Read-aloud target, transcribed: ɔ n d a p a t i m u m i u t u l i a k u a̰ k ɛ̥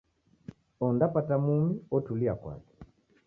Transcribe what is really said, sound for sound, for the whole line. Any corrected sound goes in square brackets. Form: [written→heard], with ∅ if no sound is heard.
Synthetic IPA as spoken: ɔ n d a p a t [i→a] m u m i [u→ɔ] t u l i a k [u→w] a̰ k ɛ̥